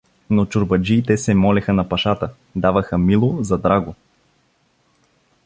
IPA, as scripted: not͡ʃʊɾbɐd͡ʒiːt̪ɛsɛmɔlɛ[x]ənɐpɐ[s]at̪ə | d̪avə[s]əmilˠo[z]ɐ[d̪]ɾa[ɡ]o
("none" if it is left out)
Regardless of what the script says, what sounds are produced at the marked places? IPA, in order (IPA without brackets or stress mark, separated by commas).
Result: x, ʃ, x, z, d̪, ɡ